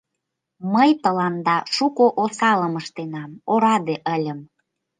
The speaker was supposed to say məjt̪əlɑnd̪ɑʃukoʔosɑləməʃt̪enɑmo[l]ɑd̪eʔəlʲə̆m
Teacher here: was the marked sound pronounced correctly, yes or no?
no